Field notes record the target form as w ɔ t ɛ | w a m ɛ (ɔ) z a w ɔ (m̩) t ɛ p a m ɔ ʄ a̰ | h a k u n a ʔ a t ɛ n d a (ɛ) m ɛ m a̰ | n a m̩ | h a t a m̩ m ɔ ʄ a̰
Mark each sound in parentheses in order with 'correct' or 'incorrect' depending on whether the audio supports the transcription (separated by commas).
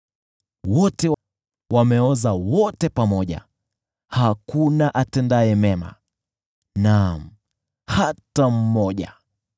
correct, incorrect, correct